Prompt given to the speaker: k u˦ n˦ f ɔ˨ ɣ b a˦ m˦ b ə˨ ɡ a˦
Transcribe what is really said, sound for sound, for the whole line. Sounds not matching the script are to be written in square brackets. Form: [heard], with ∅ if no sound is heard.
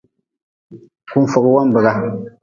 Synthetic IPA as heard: k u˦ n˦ f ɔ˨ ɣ [w] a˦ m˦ b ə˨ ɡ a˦